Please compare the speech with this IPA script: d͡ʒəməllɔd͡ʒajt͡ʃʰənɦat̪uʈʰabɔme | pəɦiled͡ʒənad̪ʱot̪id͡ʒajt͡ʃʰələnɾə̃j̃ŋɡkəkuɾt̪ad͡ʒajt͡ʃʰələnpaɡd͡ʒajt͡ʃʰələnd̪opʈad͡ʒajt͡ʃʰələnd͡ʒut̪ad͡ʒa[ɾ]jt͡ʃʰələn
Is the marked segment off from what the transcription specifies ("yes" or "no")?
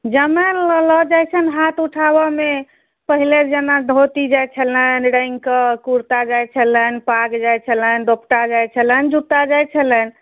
yes